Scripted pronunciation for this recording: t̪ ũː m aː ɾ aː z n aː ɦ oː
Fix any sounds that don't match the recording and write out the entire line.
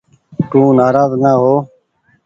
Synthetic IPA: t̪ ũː n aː ɾ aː z n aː ɦ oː